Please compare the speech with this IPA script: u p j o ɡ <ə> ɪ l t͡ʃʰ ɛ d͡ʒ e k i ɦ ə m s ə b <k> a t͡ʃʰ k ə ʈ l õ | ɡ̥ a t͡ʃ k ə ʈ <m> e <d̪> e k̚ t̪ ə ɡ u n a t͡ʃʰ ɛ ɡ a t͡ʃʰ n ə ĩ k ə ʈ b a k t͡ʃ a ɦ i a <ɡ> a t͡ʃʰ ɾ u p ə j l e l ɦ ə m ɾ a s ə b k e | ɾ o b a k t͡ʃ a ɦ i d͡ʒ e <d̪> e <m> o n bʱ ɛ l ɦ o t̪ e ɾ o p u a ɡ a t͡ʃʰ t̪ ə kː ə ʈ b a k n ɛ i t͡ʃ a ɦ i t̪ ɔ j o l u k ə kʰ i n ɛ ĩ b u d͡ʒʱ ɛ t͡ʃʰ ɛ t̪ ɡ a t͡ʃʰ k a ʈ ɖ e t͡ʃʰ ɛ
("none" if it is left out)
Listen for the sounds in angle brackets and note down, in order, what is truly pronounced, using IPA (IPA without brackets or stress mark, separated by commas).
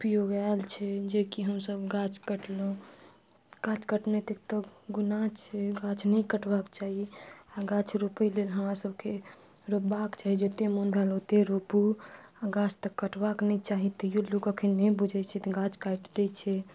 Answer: a, ɡ, n, t̪, ɡ, t̪, m